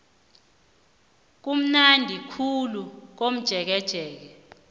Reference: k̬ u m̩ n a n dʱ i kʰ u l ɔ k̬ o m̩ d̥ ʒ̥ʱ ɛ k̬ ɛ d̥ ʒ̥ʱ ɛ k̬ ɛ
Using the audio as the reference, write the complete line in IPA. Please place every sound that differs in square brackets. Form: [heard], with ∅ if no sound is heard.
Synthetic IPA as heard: k̬ u m̩ n a n dʱ i kʰ u l [u] k̬ o m̩ d̥ ʒ̥ʱ ɛ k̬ ɛ d̥ ʒ̥ʱ [ɛː] k̬ ɛ